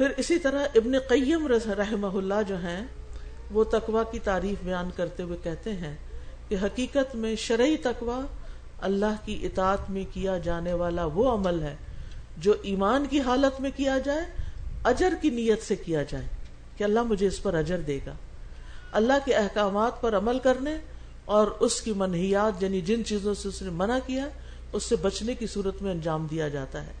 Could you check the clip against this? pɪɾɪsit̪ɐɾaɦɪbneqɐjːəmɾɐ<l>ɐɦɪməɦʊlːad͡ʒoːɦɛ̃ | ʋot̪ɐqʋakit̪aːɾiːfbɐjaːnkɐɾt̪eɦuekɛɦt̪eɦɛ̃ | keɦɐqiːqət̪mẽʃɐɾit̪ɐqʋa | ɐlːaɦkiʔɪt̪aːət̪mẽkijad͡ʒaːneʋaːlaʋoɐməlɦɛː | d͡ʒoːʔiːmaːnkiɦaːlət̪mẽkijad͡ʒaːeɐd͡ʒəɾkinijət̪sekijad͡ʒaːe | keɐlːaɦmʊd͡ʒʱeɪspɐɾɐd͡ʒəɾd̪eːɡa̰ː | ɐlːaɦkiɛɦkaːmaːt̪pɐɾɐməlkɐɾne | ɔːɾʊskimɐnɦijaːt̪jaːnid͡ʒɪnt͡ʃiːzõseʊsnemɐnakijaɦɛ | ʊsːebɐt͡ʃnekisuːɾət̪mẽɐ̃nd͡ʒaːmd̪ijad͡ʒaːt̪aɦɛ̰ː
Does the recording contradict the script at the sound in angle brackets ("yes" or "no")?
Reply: yes